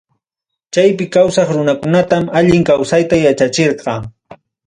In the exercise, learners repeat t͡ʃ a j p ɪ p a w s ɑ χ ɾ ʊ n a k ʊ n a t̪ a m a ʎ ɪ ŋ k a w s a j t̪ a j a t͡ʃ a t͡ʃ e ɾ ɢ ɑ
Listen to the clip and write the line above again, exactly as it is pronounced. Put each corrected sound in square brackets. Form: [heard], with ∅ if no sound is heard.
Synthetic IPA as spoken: t͡ʃ a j p ɪ [k] a w s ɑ χ ɾ ʊ n a k ʊ n a t̪ a m a ʎ ɪ ŋ k a w s a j t̪ a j a t͡ʃ a t͡ʃ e ɾ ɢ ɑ